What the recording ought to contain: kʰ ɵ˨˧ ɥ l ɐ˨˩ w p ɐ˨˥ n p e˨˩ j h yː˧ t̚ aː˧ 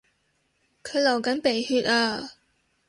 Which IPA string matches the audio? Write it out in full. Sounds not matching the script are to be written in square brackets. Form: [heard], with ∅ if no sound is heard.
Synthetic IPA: kʰ ɵ˨˧ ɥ l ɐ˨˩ w [k] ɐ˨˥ n p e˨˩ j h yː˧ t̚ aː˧